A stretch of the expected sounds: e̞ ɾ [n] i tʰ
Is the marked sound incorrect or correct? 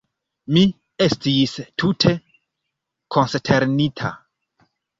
correct